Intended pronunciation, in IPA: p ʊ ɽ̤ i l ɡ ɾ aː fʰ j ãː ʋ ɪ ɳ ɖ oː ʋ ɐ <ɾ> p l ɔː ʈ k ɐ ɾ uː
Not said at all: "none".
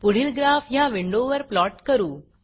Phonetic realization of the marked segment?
ɾ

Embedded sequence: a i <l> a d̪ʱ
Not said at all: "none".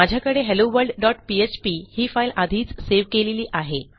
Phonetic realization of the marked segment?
l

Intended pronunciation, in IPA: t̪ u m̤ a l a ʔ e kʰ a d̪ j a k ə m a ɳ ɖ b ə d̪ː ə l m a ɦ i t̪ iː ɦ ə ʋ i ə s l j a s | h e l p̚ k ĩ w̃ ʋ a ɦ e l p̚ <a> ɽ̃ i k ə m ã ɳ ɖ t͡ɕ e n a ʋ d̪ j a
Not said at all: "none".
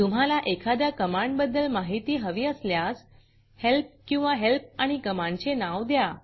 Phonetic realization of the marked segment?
a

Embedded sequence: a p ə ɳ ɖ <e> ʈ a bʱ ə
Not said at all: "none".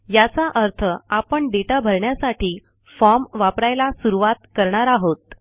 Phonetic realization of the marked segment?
e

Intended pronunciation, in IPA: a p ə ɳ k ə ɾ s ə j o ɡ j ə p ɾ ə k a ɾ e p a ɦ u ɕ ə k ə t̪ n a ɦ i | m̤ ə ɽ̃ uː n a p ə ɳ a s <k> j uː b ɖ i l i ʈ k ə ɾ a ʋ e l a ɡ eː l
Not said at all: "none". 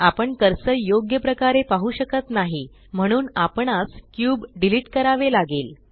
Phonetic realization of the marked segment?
k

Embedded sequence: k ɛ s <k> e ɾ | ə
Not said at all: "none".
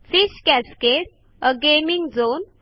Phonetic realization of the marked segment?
k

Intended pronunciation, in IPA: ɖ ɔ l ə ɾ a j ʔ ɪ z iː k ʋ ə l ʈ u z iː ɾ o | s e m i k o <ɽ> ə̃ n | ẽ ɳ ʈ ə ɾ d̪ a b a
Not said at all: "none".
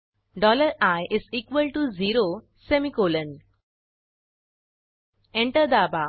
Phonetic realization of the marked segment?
l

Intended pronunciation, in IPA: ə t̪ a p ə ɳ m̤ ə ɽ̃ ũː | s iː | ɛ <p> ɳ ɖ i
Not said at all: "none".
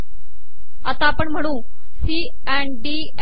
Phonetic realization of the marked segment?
none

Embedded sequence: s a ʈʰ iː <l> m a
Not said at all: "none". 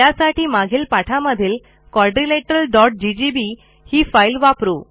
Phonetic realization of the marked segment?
none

